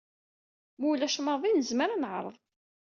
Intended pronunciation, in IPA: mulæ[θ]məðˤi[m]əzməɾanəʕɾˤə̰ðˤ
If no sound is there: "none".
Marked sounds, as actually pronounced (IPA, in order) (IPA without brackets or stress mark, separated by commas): ʃ, n